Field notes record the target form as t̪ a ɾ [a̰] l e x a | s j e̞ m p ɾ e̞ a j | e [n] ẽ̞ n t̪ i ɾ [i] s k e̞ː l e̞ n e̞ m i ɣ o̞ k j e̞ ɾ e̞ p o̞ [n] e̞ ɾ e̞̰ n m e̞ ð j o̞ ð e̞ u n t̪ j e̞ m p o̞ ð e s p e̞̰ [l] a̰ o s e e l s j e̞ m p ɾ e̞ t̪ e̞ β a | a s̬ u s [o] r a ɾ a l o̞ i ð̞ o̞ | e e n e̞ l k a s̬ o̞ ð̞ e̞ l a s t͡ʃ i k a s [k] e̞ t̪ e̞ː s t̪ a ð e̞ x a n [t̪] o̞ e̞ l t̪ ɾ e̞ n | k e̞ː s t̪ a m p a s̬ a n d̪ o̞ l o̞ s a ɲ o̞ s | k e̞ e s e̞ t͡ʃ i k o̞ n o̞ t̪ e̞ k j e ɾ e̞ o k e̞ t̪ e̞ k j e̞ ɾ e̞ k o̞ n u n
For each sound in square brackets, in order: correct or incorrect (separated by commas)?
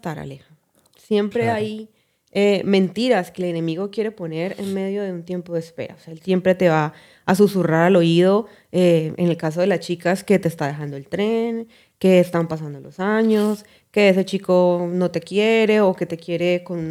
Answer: correct, incorrect, incorrect, correct, incorrect, incorrect, correct, incorrect